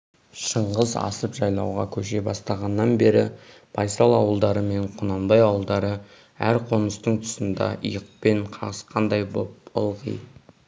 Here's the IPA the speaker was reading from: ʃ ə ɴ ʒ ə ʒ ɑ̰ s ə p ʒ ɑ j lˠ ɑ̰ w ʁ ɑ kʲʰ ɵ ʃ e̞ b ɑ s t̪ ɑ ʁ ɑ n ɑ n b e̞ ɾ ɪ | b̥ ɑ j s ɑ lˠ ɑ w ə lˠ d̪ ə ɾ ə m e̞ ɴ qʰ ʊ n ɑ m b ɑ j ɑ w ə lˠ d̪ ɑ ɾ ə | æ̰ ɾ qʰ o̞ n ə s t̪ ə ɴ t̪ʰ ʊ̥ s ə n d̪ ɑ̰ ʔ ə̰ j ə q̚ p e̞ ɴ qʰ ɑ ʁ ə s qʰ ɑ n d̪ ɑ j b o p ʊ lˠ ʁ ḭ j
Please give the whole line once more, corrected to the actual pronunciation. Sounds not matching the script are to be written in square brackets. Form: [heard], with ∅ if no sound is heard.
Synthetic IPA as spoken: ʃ ə ɴ [ʁ] ə [z] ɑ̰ s ə p ʒ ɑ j lˠ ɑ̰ w ʁ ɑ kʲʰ ɵ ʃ e̞ b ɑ s t̪ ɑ ʁ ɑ [nː] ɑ n b e̞ ɾ ɪ | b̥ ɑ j s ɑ lˠ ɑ w ə lˠ d̪ [ɑ] ɾ ə m e̞ ɴ qʰ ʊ n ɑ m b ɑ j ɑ w ə lˠ d̪ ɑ ɾ ə | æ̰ ɾ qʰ o̞ n ə s t̪ ə ɴ t̪ʰ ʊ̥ s ə n d̪ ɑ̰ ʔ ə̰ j ə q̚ p e̞ ɴ qʰ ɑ ʁ ə s qʰ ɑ n d̪ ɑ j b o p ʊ lˠ ʁ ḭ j